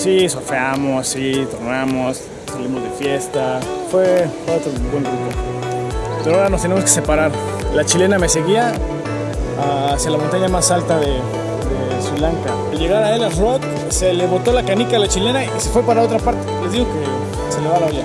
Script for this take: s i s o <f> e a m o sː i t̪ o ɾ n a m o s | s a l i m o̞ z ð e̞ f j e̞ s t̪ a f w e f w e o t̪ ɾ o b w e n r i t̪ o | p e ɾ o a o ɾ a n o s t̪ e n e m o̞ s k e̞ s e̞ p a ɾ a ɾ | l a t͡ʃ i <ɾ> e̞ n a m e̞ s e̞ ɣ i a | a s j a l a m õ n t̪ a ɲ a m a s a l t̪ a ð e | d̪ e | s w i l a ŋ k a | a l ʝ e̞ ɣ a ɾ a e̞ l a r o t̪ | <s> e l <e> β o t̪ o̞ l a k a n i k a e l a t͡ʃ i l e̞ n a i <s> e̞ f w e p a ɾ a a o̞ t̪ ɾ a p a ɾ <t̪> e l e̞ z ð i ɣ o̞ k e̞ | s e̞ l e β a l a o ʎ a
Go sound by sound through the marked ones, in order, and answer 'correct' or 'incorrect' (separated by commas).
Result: correct, incorrect, correct, correct, correct, correct